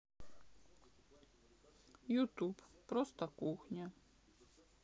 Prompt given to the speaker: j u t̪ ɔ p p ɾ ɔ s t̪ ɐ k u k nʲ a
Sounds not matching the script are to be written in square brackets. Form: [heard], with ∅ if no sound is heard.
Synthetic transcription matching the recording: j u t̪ [u] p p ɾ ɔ s t̪ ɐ k u [x] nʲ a